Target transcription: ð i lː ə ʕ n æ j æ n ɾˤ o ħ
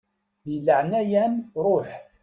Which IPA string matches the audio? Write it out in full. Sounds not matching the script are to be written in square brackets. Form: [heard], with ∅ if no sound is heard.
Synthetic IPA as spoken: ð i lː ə ʕ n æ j æ n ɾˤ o ħ

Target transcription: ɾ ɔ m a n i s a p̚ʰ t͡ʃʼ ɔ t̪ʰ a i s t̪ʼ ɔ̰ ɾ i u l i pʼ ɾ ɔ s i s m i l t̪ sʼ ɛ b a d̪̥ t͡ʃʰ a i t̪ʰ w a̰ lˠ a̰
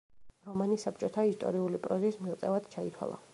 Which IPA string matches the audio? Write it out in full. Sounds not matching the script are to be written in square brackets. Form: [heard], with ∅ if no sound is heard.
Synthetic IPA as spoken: ɾ ɔ m a n i s a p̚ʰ t͡ʃʼ ɔ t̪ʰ a i s t̪ʼ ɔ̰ ɾ i u l i pʼ ɾ ɔ [z] i s m i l t̪ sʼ ɛ [v] a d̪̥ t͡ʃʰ a i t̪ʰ w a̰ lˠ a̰

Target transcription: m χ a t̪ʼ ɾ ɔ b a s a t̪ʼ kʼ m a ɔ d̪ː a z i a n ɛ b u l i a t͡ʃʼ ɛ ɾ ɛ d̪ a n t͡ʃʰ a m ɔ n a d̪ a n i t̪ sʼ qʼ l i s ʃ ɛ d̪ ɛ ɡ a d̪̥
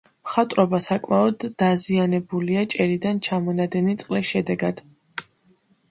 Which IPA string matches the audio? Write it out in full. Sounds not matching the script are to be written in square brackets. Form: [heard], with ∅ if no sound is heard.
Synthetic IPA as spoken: m χ a t̪ʼ ɾ ɔ b a s a [∅] kʼ m a ɔ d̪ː a z i a n ɛ b u l i a t͡ʃʼ ɛ ɾ [i] d̪ a n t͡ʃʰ a m ɔ n a d̪ [ɛ] n i t̪ sʼ qʼ l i s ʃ ɛ d̪ ɛ ɡ a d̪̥

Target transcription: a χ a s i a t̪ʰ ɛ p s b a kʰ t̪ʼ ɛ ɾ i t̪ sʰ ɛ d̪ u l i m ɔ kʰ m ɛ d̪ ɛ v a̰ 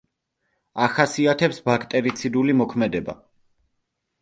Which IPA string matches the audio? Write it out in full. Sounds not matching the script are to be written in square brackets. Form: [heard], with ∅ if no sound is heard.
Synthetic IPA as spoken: a χ a s i a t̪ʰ ɛ p s b a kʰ t̪ʼ ɛ ɾ i t̪ sʰ [i] d̪ u l i m ɔ kʰ m ɛ d̪ ɛ [b] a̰

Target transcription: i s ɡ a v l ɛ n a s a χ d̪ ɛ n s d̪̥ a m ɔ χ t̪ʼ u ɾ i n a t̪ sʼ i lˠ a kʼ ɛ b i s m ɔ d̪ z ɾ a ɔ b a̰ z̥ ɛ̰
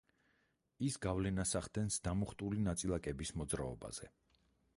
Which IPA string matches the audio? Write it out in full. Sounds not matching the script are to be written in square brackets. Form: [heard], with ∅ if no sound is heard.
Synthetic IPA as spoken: i s ɡ a v l ɛ n a s a χ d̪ ɛ n s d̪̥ a m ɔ χ t̪ʼ u [l] i n a t̪ sʼ i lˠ a kʼ ɛ b i s m ɔ d̪ z ɾ a ɔ b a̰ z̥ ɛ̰

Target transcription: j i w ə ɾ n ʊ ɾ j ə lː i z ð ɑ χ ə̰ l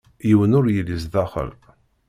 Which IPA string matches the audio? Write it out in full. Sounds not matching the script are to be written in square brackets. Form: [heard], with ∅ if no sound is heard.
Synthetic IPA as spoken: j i w ə [∅] n ʊ ɾ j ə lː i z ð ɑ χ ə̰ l

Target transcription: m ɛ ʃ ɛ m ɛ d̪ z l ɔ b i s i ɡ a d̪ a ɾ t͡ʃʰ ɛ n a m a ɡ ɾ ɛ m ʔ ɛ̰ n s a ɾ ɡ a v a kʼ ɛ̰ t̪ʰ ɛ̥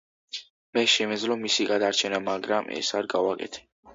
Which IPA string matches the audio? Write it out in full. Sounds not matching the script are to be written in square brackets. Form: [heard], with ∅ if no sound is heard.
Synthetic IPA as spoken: m ɛ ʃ ɛ m ɛ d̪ z l ɔ [m] i s i ɡ a d̪ a ɾ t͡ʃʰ ɛ n a m a ɡ ɾ [a] m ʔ ɛ̰ [∅] s a ɾ ɡ a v a kʼ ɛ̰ t̪ʰ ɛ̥

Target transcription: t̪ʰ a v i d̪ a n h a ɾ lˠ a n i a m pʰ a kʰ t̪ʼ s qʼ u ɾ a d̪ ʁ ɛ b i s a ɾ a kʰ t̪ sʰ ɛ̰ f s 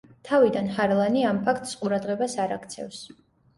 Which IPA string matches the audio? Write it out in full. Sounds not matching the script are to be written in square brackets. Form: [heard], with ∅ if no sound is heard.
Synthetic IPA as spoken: t̪ʰ a v i d̪ a n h a ɾ lˠ a n i a m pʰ a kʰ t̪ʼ s qʼ u ɾ a d̪ ʁ ɛ b [a] s a ɾ a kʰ t̪ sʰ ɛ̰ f s

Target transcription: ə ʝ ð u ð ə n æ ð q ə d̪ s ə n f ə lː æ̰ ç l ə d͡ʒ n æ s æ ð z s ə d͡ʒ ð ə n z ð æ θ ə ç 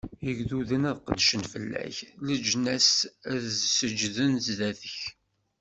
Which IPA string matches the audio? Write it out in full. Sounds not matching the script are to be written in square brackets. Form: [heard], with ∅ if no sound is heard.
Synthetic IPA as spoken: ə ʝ ð u ð ə n æ ð q ə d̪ [ʃ] ə n f ə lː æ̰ ç l ə d͡ʒ n æ s æ ð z s ə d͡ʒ ð ə n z ð æ θ ə ç

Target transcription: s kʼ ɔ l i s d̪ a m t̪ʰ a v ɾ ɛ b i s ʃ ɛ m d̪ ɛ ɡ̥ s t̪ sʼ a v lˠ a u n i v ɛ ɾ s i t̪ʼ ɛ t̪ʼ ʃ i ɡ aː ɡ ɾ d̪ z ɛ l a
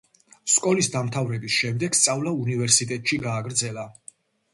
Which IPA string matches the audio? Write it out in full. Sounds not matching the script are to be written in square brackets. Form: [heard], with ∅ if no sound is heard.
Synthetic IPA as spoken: s kʼ ɔ l i s d̪ a m t̪ʰ a v ɾ ɛ b i s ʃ ɛ m d̪ ɛ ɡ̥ s t̪ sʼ a v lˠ a u n i v ɛ ɾ s i t̪ʼ ɛ t̪ʼ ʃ i ɡ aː ɡ ɾ d̪ z ɛ l a

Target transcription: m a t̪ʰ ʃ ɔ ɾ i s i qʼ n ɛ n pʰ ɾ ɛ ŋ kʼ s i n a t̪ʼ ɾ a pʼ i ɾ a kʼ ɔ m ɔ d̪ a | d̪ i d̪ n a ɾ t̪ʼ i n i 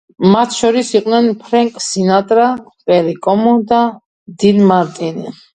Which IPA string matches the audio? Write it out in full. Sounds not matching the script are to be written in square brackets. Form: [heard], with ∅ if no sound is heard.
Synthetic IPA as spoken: m a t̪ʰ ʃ ɔ ɾ i s i qʼ n ɛ n pʰ ɾ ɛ ŋ kʼ s i n a t̪ʼ ɾ a pʼ [ɛ] ɾ [i] kʼ ɔ m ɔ d̪ a | d̪ i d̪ [m] a ɾ t̪ʼ i n i

